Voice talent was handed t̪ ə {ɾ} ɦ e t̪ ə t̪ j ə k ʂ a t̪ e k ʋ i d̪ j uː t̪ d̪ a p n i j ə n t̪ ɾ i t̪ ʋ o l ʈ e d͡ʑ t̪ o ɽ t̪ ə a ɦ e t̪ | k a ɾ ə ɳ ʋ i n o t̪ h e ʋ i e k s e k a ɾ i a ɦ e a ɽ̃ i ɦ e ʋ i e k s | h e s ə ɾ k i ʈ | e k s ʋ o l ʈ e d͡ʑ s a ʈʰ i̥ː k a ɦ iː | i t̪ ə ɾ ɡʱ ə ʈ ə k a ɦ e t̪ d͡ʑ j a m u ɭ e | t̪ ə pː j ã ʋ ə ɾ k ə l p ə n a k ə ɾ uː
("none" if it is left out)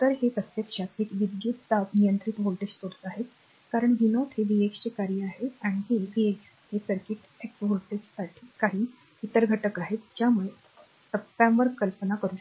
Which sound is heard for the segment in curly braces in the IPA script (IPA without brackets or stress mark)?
ɾ